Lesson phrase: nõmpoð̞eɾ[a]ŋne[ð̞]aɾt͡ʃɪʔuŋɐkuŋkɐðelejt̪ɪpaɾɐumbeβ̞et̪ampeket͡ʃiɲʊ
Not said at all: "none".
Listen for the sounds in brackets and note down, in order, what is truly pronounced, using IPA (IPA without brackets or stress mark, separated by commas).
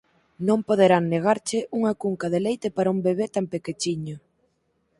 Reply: a, ɣ̞